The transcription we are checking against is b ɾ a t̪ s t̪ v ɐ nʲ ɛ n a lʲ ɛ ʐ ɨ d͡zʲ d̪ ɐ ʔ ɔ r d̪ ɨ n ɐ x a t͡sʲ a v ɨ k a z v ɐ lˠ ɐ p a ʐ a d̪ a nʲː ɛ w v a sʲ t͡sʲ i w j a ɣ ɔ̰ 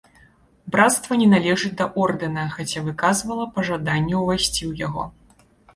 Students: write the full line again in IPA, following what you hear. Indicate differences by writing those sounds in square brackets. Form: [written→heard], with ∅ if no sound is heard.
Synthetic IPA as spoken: b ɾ a t̪ s t̪ v ɐ nʲ ɛ n a lʲ ɛ ʐ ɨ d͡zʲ d̪ ɐ ʔ ɔ r d̪ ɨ n ɐ x a t͡sʲ a v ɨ k a z v ɐ lˠ ɐ p [a→ɐ] ʐ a d̪ a nʲː ɛ w v a sʲ t͡sʲ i w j a ɣ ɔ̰